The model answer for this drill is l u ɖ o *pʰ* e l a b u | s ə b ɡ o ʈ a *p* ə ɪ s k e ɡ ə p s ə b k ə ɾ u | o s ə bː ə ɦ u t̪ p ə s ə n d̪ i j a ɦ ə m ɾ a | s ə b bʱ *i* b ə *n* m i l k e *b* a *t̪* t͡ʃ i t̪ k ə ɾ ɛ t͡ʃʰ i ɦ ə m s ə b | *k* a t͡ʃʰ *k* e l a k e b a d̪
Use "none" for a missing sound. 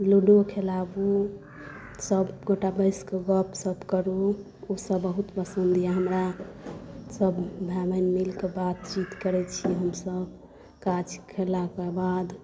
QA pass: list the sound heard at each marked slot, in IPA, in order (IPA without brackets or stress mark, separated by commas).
kʰ, b, a, n, b, t̪, k, kʰ